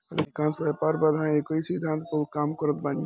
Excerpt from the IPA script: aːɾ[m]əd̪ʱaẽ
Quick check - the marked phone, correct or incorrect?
incorrect